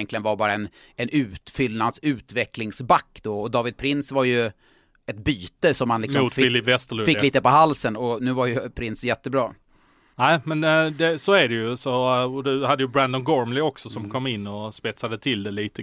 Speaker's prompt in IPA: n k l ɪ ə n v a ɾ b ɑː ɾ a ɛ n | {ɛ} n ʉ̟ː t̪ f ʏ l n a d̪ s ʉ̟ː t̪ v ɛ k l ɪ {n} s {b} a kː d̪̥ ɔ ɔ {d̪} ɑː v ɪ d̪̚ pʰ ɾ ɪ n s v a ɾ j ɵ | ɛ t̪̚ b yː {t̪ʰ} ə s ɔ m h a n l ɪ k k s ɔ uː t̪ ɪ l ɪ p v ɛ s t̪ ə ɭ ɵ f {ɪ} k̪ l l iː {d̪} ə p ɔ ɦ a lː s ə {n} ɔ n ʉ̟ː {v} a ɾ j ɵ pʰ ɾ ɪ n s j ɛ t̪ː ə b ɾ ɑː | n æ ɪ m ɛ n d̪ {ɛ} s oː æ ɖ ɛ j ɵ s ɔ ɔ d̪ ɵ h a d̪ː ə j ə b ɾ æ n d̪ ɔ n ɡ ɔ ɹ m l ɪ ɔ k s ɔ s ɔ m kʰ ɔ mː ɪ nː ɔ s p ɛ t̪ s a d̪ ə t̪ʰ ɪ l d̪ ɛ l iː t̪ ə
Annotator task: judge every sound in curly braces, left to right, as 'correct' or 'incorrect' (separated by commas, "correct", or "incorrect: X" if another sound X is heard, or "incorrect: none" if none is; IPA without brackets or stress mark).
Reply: correct, incorrect: ŋ, correct, correct, incorrect: t̪, correct, incorrect: t̪, correct, correct, correct